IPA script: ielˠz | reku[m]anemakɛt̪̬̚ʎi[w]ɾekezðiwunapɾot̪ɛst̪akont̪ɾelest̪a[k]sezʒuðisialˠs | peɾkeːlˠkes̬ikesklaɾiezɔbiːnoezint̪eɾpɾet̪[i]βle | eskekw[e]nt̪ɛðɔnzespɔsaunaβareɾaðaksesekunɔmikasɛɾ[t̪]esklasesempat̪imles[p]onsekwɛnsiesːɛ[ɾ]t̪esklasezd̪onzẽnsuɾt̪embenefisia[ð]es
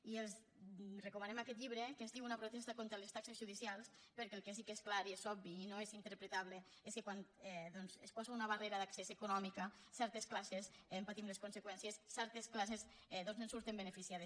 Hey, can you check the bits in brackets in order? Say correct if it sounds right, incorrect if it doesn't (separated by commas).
correct, incorrect, correct, incorrect, incorrect, correct, incorrect, correct, correct